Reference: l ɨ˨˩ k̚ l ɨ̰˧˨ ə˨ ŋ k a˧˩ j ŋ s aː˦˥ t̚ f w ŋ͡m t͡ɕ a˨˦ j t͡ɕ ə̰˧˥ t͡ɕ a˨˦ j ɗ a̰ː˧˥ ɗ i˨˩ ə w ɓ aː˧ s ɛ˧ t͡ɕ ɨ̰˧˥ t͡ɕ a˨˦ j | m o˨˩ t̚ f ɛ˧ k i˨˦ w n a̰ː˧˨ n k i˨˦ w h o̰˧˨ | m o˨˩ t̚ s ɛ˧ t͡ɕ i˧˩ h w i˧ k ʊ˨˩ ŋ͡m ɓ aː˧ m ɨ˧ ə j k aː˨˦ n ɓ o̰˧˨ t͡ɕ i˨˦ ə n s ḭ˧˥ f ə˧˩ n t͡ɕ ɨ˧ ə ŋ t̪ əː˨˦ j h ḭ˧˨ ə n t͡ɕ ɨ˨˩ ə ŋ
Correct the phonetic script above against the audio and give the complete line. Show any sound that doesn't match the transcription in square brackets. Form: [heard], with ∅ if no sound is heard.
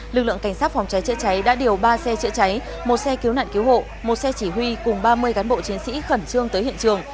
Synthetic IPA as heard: l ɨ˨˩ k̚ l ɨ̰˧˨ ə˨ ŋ k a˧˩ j ŋ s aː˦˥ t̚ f w ŋ͡m t͡ɕ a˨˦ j t͡ɕ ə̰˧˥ t͡ɕ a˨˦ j ɗ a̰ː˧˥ ɗ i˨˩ ə w ɓ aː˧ s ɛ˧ t͡ɕ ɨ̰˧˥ t͡ɕ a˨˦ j | m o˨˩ t̚ [s] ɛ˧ k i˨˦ w n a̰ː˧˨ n k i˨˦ w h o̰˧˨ | m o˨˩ t̚ s ɛ˧ t͡ɕ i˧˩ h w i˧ k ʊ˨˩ ŋ͡m ɓ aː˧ m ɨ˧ ə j k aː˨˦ n ɓ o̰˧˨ t͡ɕ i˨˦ ə n s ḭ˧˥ [x] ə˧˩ n t͡ɕ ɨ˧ ə ŋ t̪ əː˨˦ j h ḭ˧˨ ə n t͡ɕ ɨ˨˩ ə ŋ